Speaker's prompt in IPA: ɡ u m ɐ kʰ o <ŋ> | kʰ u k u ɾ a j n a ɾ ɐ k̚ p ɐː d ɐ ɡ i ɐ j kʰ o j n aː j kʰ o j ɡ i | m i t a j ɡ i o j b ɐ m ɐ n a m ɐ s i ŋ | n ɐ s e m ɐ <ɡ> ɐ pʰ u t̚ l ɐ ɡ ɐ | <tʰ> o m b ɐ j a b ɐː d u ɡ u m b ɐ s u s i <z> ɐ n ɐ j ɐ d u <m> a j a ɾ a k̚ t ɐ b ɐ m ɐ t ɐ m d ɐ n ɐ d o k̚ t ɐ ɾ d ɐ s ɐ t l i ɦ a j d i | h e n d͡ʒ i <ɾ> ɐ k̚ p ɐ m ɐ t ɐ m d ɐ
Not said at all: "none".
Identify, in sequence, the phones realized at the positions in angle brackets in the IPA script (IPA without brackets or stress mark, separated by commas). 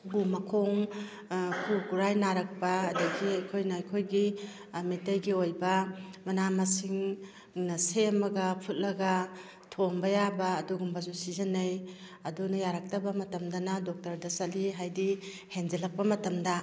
ŋ, ɡ, tʰ, z, n, l